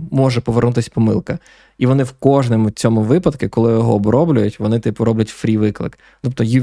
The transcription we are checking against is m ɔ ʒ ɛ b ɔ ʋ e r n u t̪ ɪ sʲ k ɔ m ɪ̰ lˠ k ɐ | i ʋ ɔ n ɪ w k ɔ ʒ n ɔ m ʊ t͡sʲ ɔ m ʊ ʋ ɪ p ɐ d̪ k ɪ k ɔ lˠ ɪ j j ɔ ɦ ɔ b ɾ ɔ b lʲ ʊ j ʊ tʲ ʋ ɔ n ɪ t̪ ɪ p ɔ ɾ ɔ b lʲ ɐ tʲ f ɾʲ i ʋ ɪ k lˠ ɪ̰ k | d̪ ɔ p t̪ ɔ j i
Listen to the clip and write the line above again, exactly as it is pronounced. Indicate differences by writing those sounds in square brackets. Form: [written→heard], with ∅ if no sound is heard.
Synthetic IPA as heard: m ɔ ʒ ɛ [b→p] ɔ ʋ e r n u t̪ ɪ sʲ [k→p] ɔ m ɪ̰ lˠ k ɐ | i ʋ ɔ n ɪ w k ɔ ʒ n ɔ m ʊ t͡sʲ ɔ m ʊ ʋ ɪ p ɐ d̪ k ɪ k ɔ lˠ ɪ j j ɔ ɦ ɔ b ɾ ɔ b lʲ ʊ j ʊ tʲ ʋ ɔ n ɪ t̪ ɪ p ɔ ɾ ɔ b lʲ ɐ tʲ f ɾʲ i ʋ ɪ k lˠ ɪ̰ k | [d̪→t̪] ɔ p t̪ ɔ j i